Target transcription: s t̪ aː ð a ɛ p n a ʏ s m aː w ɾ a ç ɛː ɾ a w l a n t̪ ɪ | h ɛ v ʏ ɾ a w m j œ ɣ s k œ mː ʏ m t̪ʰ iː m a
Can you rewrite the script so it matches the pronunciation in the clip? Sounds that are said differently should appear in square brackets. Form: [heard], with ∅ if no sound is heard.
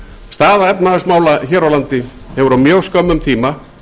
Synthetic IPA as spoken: s t̪ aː ð a ɛ p n a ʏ s m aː w [l] a ç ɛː ɾ a w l a n t̪ ɪ | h ɛ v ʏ ɾ a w m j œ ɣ s k œ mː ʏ m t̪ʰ iː m a